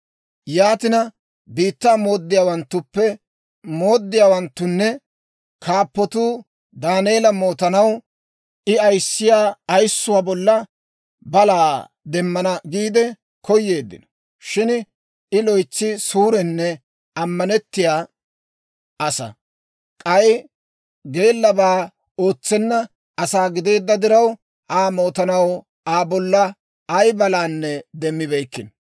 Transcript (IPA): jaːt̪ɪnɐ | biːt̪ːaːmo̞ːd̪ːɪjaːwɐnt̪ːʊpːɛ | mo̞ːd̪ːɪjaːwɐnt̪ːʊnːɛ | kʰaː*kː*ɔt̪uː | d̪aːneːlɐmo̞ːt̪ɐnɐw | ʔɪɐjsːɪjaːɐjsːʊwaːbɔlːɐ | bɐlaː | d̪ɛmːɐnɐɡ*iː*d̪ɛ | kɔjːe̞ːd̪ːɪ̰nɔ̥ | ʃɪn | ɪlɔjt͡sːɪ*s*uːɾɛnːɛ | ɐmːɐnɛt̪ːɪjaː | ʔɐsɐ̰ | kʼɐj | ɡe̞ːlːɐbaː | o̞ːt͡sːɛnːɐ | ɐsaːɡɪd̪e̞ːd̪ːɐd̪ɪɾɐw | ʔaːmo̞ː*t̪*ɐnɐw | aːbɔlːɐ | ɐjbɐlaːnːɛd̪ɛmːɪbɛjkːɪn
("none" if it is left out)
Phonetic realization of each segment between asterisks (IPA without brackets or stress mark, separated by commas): pː, iː, s, t̪